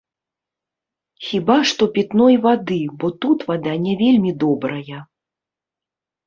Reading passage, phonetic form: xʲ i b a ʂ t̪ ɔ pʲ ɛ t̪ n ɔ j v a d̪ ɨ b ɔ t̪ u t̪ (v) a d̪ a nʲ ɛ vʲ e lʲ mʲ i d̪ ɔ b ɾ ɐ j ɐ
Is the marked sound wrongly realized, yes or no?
no